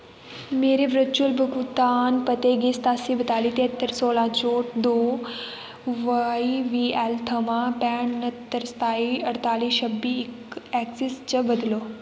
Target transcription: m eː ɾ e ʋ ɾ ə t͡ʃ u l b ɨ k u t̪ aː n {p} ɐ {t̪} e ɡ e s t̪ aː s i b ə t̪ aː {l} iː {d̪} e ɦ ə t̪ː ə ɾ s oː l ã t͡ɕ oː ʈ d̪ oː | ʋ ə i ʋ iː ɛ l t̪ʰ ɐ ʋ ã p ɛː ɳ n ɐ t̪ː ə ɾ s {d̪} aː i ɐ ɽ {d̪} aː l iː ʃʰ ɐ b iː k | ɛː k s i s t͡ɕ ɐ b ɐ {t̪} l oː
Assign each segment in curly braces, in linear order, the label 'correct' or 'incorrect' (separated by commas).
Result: correct, correct, correct, incorrect, incorrect, incorrect, incorrect